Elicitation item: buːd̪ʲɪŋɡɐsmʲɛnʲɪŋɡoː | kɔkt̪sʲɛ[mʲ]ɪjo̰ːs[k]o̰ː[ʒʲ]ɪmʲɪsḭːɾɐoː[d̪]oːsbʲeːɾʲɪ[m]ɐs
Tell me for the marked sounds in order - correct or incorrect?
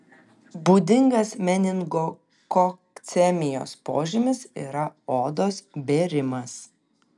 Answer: correct, incorrect, correct, correct, correct

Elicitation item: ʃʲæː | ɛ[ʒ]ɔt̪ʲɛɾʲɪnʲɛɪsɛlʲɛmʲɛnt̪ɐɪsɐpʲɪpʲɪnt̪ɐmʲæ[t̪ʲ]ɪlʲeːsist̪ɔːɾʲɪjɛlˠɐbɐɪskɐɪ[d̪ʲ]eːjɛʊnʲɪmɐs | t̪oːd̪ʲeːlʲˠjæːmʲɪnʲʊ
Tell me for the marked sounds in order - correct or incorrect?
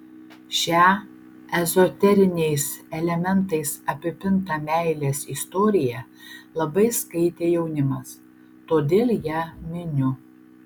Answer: incorrect, incorrect, incorrect

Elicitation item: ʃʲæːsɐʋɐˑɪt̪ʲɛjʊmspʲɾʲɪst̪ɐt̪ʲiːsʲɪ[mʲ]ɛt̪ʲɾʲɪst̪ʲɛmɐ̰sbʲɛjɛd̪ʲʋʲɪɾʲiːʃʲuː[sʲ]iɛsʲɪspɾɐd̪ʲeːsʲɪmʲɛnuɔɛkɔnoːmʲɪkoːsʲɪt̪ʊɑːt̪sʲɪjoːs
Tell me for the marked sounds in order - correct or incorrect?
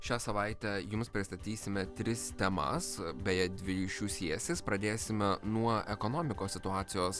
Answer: correct, correct

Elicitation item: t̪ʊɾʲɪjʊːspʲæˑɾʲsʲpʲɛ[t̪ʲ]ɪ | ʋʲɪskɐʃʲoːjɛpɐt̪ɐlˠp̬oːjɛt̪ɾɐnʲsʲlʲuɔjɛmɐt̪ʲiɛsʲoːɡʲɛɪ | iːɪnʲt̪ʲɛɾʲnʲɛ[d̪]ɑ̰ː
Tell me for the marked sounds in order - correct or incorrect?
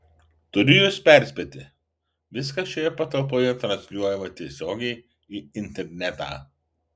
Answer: correct, incorrect

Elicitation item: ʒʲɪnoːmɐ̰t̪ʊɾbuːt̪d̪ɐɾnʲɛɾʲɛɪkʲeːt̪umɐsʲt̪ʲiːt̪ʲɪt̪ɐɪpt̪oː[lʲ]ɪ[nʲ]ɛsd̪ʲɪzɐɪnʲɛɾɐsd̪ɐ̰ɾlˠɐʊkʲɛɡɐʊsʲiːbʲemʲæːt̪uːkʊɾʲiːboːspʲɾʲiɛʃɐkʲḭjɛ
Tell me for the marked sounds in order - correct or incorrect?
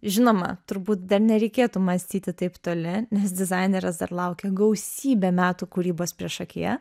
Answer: correct, correct

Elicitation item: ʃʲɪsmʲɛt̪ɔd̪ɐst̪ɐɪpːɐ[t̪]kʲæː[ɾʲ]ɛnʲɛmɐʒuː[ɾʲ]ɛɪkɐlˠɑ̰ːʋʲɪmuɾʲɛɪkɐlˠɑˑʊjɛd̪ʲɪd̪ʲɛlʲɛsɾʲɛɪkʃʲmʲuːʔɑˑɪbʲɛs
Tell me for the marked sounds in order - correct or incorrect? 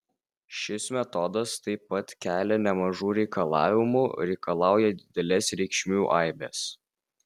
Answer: correct, incorrect, correct

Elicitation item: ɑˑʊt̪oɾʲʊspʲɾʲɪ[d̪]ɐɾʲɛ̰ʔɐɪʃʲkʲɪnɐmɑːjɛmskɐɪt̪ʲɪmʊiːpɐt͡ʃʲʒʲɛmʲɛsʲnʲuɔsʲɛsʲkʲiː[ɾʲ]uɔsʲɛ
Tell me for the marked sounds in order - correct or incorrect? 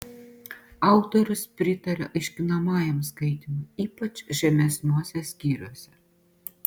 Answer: incorrect, correct

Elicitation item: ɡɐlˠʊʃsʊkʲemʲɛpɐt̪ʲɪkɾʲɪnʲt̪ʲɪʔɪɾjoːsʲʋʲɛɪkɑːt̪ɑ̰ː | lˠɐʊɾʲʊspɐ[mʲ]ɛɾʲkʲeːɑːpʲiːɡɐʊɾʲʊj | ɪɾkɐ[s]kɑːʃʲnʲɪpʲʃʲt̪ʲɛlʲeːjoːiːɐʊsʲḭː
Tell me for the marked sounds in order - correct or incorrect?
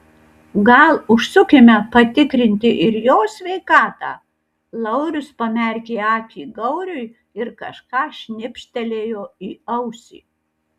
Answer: correct, incorrect

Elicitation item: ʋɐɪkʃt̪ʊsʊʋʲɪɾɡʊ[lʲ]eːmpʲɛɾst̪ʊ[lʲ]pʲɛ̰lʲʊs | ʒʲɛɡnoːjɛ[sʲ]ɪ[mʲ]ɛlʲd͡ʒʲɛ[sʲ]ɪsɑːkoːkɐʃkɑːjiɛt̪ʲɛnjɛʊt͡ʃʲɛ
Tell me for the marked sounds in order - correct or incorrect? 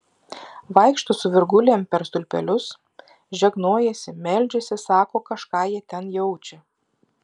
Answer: correct, correct, correct, correct, correct

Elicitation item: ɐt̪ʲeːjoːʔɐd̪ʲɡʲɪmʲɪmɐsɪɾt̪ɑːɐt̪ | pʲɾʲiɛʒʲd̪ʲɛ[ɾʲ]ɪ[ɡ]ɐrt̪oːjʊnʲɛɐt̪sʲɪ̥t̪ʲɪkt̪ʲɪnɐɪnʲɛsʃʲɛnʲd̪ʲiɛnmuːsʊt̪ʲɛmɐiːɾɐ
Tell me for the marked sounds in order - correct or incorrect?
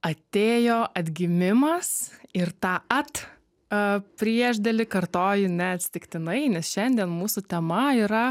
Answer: incorrect, incorrect

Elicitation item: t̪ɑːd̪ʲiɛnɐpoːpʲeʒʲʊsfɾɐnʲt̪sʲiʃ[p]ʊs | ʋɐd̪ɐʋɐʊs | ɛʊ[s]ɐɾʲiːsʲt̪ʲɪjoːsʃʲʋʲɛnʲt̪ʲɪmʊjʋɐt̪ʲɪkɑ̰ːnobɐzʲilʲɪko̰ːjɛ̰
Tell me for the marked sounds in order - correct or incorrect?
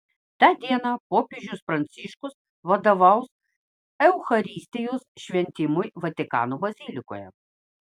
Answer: incorrect, incorrect

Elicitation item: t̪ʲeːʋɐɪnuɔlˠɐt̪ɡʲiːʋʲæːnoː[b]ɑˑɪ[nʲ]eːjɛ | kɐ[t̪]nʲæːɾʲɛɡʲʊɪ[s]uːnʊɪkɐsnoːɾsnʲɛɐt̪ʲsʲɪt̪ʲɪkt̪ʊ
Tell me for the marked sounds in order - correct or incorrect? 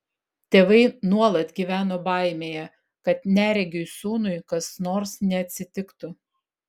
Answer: correct, incorrect, correct, correct

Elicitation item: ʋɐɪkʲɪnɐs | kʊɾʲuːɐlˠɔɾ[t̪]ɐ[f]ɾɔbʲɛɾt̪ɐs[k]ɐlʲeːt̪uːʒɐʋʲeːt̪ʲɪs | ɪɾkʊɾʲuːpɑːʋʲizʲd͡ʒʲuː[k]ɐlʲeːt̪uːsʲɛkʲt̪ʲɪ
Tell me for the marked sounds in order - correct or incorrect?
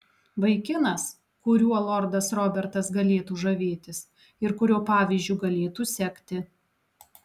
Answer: incorrect, incorrect, incorrect, incorrect

